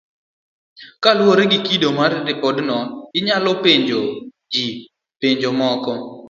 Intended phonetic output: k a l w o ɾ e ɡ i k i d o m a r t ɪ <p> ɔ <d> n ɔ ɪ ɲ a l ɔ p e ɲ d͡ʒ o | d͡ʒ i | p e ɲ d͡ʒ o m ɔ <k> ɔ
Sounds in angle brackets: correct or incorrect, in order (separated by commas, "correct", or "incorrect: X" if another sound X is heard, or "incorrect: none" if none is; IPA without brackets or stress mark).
correct, correct, correct